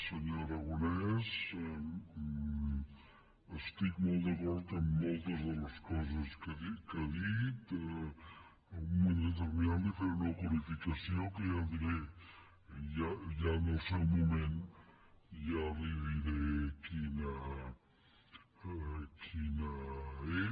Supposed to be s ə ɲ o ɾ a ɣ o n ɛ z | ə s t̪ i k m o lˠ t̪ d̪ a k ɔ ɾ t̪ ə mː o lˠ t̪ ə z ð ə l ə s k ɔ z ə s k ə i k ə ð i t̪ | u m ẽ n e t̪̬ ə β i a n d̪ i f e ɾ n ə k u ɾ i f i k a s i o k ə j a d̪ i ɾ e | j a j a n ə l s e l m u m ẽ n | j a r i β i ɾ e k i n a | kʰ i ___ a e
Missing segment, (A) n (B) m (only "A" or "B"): A